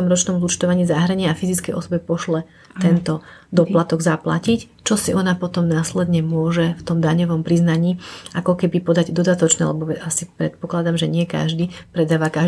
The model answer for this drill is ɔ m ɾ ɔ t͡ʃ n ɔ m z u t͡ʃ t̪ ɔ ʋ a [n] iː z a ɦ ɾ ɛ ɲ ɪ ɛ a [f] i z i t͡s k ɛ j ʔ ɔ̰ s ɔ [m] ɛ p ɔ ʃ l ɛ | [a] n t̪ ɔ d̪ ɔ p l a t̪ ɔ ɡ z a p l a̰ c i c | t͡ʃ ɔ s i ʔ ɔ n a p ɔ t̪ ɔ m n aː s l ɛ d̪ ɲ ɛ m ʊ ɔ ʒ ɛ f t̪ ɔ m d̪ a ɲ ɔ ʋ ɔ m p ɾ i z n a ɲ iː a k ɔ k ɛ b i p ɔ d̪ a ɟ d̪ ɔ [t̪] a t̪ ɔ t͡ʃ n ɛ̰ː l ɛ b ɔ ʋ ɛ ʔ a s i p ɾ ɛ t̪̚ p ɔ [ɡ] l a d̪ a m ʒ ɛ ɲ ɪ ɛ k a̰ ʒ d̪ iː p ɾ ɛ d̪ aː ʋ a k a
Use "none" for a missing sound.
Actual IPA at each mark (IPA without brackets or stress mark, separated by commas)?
ɲ, f, b, ɛ, d̪, k